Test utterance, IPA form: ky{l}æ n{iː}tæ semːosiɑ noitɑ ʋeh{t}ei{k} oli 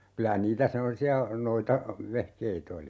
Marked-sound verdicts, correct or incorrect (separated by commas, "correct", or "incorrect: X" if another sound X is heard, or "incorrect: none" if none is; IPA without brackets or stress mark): correct, correct, incorrect: k, incorrect: t